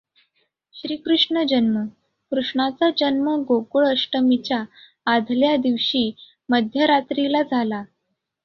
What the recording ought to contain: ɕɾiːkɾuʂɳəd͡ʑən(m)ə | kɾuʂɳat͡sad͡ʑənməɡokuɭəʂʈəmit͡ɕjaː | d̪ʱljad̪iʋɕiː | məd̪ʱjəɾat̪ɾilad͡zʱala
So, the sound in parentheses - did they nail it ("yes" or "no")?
yes